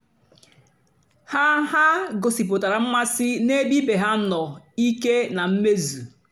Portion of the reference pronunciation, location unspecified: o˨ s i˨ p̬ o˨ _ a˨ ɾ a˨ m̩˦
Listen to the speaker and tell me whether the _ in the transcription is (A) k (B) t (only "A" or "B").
B